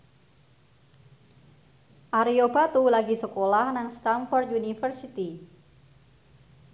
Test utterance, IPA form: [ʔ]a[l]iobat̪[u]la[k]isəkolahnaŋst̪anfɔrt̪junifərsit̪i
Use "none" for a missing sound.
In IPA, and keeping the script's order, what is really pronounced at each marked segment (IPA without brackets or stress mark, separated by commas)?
ʔ, ɾ, u, ɡ